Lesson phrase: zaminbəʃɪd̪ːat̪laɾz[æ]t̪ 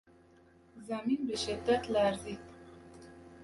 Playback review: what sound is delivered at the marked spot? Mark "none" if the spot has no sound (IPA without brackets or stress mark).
i